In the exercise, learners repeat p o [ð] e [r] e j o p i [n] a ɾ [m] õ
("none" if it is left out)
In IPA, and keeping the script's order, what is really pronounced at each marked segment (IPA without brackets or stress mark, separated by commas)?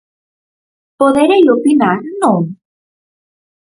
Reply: ð, ɾ, n, n